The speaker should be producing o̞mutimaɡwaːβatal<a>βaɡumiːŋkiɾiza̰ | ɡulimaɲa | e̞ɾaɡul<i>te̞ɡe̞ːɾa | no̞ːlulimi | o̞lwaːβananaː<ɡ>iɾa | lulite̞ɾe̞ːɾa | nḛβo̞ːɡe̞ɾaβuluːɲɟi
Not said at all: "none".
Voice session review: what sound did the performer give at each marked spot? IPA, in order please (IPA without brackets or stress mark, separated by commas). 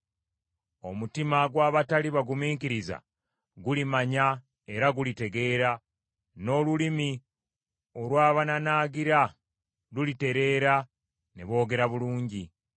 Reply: i, i, ɡ